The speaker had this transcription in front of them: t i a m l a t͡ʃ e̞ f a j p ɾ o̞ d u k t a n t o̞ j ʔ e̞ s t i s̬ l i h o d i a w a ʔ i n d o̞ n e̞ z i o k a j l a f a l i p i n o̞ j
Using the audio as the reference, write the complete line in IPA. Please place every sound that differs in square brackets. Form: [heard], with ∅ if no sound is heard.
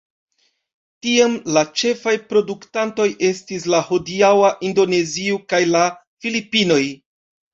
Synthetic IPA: t i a m l a t͡ʃ e̞ f a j p ɾ o̞ d u k t a n t o̞ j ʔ e̞ s t i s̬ l [a] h o d i a w a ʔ i n d o̞ n e̞ z i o k a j l a f [i] l i p i n o̞ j